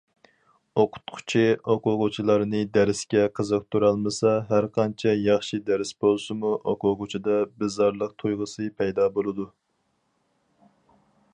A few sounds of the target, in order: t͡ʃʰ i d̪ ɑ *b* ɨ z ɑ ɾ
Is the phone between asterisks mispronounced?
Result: no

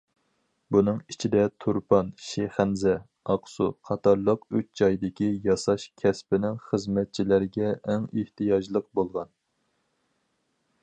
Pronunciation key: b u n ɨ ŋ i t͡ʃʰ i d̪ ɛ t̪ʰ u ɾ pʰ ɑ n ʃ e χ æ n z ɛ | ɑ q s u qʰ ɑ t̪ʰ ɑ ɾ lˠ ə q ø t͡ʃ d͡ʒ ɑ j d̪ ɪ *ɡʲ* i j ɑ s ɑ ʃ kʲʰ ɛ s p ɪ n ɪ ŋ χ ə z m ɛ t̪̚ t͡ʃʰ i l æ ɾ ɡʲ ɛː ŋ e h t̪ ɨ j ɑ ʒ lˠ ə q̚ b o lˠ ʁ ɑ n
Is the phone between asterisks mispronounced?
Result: yes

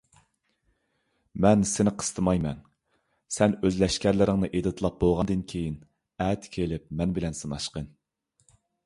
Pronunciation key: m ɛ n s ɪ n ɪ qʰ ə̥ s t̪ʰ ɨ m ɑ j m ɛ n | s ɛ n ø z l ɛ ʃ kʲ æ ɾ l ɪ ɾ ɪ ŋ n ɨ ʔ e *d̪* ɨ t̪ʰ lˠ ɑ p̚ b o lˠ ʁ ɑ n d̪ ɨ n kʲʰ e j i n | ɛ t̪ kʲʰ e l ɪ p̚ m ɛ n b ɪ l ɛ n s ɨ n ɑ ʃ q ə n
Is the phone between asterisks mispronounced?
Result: no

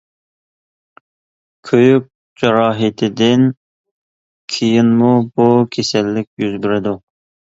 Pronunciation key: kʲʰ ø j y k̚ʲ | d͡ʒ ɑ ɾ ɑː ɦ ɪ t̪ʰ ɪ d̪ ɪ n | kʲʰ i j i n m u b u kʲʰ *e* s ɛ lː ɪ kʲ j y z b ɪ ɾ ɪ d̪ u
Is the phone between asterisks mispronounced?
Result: no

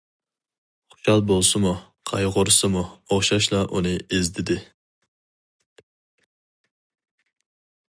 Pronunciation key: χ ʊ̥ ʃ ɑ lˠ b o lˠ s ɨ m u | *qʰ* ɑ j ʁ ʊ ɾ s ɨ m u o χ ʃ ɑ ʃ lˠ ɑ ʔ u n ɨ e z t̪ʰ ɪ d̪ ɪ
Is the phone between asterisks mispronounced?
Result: no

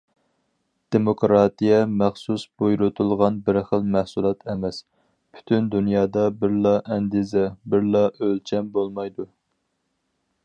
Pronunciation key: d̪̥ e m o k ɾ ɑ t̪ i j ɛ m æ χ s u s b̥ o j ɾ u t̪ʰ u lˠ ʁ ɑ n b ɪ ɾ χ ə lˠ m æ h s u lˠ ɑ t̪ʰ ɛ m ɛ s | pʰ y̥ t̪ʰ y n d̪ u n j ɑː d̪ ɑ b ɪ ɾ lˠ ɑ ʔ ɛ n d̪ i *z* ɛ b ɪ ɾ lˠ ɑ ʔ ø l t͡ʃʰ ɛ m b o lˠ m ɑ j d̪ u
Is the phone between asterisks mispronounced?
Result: no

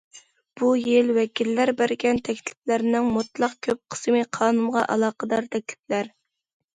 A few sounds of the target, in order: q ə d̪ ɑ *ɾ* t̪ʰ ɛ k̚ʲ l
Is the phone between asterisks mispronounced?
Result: no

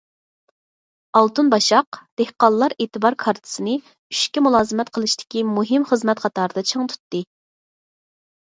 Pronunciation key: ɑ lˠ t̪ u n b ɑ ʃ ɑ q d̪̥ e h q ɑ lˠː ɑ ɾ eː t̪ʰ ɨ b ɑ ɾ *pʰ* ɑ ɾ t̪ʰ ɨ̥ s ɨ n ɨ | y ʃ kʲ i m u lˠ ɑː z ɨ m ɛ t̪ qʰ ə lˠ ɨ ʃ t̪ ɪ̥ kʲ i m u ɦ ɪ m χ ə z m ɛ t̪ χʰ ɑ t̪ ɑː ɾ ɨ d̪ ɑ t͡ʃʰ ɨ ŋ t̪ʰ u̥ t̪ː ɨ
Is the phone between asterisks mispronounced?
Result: yes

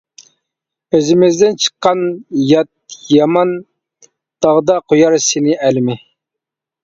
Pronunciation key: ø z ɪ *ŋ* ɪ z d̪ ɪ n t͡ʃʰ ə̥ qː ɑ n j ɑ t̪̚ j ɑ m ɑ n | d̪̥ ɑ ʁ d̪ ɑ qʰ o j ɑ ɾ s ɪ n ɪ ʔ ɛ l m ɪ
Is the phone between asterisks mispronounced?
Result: yes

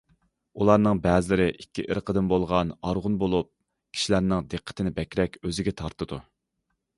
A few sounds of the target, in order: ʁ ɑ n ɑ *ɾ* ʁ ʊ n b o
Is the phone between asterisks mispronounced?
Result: no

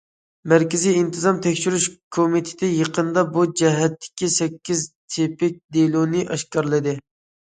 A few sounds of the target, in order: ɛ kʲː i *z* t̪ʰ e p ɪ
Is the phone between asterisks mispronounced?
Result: no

